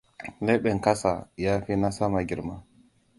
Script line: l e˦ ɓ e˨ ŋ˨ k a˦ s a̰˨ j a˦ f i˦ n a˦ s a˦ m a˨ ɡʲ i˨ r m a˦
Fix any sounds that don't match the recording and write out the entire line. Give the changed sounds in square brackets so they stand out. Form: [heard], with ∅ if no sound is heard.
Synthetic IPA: l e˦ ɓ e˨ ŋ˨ k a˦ s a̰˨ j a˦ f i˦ n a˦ s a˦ m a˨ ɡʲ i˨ [ɾ] m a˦

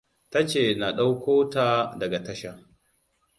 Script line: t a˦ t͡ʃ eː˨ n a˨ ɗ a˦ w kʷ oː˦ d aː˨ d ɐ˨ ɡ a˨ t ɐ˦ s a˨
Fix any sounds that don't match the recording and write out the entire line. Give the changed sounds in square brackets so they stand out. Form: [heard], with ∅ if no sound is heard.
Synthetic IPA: t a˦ t͡ʃ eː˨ n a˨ ɗ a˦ w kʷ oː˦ [t] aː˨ d ɐ˨ ɡ a˨ t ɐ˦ [ʃ] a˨

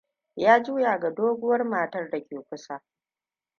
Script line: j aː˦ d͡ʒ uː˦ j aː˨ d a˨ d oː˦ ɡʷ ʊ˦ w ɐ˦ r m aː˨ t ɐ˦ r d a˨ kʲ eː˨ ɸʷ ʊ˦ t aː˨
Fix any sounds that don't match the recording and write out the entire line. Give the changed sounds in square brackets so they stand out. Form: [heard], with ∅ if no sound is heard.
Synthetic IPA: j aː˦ d͡ʒ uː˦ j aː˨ [ɡ] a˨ d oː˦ ɡʷ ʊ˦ w ɐ˦ r m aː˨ t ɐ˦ r d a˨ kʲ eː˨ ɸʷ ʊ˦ [s] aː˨

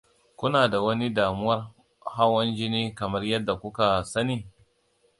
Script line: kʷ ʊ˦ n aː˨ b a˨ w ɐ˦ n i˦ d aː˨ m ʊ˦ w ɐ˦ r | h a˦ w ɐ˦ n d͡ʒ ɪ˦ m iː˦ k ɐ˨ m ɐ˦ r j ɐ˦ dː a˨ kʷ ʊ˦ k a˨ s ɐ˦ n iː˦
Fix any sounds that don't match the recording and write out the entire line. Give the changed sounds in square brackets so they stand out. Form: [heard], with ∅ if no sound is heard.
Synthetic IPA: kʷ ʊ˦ n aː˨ [d] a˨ w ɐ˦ n i˦ d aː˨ m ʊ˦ w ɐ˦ r | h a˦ w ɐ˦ n d͡ʒ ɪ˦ [n] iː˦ k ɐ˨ m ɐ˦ r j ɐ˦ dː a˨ kʷ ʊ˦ k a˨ s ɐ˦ n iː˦

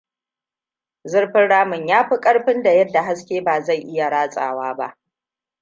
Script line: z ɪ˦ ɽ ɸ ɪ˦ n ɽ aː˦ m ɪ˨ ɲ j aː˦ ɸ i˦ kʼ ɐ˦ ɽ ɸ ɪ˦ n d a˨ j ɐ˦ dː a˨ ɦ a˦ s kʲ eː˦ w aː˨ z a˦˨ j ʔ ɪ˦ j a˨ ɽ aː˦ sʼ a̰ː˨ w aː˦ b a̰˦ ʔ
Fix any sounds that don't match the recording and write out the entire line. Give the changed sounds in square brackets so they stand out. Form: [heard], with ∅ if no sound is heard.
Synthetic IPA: z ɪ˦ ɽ ɸ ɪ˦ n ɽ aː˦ m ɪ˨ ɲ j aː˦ ɸ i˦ kʼ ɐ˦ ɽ ɸ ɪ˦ n d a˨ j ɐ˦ dː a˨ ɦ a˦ s kʲ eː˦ [b] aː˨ z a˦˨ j ʔ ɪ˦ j a˨ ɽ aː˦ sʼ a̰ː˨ w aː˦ b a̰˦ ʔ

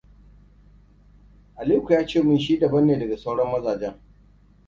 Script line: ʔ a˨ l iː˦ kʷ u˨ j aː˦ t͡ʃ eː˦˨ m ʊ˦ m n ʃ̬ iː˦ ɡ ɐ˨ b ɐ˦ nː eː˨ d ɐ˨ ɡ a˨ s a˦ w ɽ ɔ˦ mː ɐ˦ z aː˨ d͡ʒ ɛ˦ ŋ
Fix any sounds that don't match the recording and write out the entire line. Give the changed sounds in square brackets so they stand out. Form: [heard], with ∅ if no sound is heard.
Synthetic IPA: ʔ a˨ l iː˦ kʷ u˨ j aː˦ t͡ʃ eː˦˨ m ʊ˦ [∅] n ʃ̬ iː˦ [d] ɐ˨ b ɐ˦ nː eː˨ d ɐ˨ ɡ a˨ s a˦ w ɽ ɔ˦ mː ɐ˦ z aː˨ d͡ʒ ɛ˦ ŋ

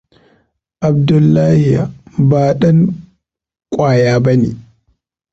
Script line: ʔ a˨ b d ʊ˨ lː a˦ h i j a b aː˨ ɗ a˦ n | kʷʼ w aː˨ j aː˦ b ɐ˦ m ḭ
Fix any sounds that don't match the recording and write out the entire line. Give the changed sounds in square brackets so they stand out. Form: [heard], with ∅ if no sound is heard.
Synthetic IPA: ʔ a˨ b d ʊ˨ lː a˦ h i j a b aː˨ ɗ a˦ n | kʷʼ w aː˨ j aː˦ b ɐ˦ [n] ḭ

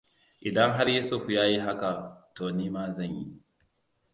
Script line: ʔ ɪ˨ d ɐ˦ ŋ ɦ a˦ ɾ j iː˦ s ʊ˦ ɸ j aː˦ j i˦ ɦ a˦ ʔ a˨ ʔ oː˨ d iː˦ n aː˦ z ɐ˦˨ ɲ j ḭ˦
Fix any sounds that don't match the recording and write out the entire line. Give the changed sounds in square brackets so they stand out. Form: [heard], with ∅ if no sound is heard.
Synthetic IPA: ʔ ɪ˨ d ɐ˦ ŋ ɦ a˦ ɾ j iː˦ s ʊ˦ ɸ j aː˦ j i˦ ɦ a˦ [k] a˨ [t] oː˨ [n] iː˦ [m] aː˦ z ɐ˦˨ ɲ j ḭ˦

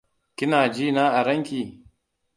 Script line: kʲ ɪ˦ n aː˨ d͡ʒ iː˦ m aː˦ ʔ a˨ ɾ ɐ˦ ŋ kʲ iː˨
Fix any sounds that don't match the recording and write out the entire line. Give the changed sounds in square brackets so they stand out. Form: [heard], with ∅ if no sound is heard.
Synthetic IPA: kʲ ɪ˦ n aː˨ d͡ʒ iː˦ [n] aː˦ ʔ a˨ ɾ ɐ˦ ŋ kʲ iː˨

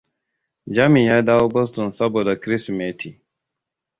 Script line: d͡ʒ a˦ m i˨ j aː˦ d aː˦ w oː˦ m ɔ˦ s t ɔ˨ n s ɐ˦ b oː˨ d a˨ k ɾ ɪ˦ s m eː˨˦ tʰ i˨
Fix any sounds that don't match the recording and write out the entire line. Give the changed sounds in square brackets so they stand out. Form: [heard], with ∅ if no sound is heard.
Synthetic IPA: d͡ʒ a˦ m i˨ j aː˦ d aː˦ w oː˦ [b] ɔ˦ s t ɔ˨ n s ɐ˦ b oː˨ d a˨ k ɾ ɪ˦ s m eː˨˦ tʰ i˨

